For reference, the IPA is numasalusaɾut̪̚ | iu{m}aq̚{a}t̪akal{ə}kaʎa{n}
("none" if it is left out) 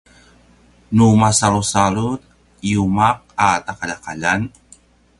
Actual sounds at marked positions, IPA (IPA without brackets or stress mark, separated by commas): m, a, a, n